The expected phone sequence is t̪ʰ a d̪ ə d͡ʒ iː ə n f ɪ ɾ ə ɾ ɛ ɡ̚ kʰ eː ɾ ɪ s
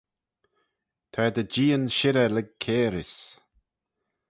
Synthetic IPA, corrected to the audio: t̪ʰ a d̪ ə d͡ʒ iː ə n ʃ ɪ ɾ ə l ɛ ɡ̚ kʰ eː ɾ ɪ s